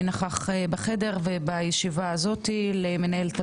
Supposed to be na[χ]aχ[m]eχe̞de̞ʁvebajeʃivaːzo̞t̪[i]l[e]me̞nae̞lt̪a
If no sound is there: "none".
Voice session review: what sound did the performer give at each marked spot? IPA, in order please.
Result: χ, b, i, e

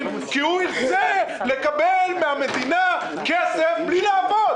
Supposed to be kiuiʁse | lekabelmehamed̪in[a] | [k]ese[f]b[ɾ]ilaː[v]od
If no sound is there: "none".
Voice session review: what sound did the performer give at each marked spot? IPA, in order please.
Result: a, k, f, l, v

